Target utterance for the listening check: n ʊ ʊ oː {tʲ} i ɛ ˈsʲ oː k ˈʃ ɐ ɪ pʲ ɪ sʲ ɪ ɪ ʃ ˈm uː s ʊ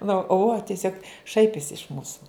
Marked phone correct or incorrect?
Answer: correct